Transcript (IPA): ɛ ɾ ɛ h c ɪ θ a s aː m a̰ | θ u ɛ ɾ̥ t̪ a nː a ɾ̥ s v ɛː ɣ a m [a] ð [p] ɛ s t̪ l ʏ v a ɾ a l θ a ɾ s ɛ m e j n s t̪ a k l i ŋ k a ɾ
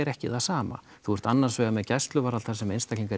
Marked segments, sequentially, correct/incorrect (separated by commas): incorrect, incorrect